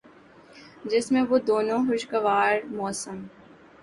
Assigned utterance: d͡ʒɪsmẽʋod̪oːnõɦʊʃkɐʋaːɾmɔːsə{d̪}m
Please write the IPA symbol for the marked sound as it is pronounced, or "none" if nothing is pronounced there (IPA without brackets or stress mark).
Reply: none